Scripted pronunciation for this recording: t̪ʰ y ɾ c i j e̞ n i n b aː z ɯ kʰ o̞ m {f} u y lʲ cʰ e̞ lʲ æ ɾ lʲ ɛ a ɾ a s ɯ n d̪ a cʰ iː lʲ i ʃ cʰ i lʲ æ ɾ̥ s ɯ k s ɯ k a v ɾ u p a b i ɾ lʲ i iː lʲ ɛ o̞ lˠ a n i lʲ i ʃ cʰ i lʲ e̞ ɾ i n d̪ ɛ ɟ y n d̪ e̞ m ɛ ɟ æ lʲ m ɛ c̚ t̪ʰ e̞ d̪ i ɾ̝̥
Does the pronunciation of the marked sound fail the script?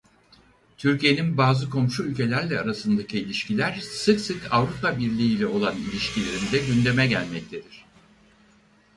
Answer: yes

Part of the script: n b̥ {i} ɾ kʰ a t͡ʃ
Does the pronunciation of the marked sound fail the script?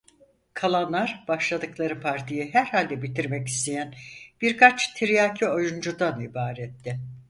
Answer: no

